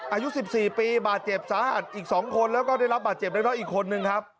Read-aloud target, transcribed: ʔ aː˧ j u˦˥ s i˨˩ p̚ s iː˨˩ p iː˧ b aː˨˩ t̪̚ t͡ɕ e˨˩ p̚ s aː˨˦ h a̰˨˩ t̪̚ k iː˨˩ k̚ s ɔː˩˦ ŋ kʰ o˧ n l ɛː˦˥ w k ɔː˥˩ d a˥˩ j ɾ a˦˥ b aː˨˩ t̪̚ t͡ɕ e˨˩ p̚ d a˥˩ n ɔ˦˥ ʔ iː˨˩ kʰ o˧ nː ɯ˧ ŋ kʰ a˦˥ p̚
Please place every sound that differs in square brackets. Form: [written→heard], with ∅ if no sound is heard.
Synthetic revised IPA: ʔ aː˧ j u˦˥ s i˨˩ p̚ s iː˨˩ p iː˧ b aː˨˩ t̪̚ t͡ɕ e˨˩ p̚ s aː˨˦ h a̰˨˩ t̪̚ [k→ʔ] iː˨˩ k̚ s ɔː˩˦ ŋ kʰ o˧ n l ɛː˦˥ w k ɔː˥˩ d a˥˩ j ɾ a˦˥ b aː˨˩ t̪̚ t͡ɕ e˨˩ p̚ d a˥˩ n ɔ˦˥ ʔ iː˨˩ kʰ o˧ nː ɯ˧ ŋ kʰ a˦˥ p̚